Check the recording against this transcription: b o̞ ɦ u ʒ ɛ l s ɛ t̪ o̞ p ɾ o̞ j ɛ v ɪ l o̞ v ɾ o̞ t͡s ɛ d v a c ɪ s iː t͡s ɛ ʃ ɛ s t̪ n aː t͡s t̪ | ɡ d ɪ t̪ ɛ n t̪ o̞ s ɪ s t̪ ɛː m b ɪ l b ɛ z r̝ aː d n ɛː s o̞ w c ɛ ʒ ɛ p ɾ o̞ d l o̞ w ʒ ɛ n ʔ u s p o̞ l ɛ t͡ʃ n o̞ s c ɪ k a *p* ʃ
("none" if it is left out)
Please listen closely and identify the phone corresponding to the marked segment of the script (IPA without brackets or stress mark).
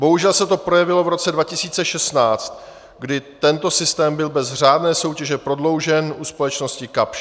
p